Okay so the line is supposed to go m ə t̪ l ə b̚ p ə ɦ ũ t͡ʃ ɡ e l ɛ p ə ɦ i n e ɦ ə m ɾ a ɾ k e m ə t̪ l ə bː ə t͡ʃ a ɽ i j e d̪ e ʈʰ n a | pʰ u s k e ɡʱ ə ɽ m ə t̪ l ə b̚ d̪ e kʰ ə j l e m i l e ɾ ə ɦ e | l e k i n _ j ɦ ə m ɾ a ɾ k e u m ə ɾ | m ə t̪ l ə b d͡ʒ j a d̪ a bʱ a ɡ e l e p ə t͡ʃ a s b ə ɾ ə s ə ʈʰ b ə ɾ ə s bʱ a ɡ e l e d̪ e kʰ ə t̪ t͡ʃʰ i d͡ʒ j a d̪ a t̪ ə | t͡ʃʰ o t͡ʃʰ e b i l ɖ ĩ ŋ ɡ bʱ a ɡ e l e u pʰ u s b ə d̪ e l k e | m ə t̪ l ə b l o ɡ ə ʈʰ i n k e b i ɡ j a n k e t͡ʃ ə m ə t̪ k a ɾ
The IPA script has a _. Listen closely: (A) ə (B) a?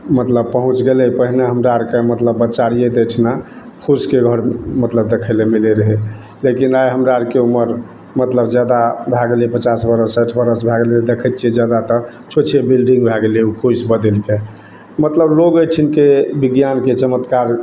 B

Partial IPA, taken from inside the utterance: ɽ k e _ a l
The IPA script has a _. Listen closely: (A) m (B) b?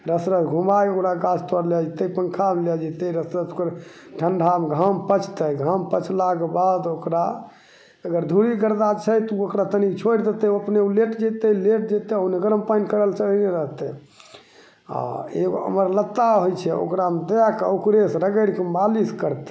A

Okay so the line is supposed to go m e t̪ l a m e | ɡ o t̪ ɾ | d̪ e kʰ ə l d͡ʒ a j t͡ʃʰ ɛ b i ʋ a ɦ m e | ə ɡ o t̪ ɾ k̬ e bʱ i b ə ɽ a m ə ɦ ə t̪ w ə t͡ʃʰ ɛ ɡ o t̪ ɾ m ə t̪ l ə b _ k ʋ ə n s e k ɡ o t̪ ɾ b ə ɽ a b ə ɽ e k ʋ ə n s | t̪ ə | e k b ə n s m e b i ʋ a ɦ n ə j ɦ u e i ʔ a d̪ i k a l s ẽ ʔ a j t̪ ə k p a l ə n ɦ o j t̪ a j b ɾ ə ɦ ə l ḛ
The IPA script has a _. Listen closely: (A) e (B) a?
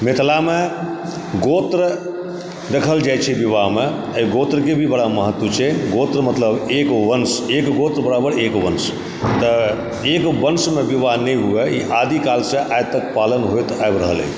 A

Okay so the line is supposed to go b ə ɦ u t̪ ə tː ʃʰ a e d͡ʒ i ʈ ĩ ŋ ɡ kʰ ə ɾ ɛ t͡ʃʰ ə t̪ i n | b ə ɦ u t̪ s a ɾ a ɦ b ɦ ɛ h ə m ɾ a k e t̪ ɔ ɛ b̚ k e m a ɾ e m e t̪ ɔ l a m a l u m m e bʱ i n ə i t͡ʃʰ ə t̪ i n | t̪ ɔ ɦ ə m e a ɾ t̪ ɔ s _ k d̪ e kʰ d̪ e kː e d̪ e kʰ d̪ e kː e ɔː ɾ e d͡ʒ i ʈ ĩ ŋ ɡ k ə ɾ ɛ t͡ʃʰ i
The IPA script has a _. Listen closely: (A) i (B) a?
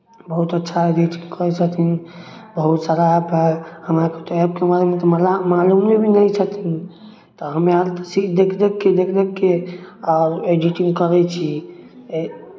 A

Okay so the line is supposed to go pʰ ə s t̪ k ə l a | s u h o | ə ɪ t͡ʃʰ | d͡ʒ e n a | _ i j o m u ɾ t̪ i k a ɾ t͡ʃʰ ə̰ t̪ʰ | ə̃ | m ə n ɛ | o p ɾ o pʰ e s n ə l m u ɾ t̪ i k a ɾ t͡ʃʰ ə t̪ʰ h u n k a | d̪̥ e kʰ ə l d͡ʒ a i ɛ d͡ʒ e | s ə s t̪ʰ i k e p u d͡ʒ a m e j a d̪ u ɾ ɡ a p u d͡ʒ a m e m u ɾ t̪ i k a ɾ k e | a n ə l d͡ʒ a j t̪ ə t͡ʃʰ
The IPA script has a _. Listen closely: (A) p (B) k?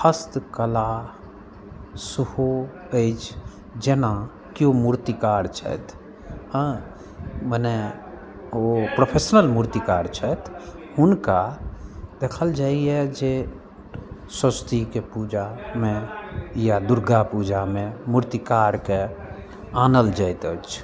B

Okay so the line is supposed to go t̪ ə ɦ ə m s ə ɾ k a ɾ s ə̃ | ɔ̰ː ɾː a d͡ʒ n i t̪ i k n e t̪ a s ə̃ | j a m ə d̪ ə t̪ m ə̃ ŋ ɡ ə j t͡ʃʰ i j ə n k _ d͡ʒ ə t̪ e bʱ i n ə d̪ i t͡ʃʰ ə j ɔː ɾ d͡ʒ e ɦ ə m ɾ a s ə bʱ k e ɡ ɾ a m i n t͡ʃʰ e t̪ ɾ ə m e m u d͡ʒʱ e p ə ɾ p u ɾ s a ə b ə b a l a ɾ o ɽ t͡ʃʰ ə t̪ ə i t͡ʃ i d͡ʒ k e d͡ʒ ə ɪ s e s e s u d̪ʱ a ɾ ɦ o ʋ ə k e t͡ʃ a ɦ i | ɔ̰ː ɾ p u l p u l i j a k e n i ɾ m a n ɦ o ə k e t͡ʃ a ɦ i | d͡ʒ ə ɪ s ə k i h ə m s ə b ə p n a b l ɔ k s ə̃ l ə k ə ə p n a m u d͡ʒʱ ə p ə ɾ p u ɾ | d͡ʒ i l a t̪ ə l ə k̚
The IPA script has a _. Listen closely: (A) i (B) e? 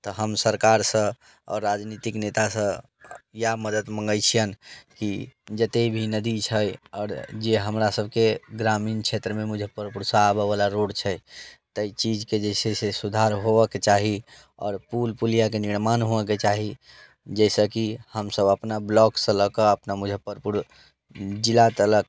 A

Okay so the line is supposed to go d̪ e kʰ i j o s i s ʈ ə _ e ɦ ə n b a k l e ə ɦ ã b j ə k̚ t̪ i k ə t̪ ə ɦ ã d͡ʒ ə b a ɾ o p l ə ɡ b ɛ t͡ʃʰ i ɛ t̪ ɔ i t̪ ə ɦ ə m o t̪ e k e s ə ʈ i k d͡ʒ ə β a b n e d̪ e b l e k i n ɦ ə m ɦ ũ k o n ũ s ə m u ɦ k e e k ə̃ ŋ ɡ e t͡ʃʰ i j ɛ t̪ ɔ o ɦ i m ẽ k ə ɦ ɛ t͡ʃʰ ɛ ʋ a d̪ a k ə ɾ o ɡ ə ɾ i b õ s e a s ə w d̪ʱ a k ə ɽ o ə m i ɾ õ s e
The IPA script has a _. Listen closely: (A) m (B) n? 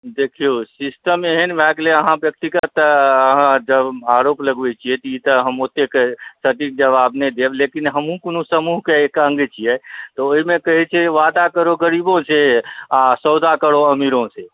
A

